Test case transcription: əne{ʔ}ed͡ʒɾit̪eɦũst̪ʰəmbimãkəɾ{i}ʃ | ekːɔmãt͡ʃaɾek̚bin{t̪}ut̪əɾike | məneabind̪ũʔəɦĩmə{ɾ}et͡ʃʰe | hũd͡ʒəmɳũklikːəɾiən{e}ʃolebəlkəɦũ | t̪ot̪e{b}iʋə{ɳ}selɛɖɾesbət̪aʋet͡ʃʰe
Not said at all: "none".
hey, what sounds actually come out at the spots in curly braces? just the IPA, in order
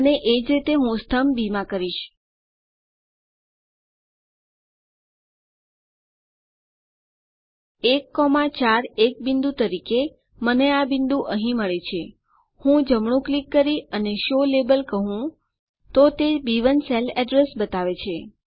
ʔ, i, d̪, ɭ, e, b, n

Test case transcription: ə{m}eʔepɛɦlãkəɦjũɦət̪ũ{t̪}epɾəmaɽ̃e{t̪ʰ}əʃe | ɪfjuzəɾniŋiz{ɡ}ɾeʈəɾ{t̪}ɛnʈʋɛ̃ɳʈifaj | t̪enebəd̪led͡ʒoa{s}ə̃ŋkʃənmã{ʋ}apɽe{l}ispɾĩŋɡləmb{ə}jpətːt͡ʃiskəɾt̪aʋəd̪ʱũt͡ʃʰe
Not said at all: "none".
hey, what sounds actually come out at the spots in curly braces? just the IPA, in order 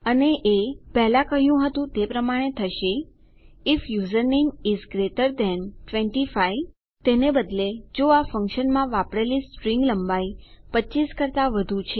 n, t̪, t̪ʰ, ɡ, d̪, f, ʋ, l, a

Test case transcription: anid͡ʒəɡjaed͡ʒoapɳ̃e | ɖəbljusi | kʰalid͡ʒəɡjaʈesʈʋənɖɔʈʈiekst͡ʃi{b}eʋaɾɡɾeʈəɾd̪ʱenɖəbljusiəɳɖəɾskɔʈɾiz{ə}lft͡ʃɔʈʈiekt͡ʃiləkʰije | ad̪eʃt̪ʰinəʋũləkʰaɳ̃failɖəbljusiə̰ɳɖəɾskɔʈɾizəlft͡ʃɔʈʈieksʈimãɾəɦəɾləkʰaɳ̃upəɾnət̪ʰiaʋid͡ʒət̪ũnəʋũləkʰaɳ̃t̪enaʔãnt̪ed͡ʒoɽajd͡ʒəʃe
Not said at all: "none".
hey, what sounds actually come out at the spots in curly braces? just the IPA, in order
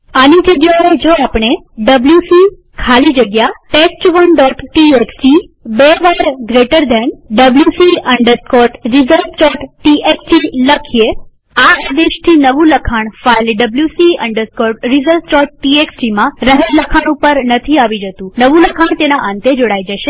b, ə

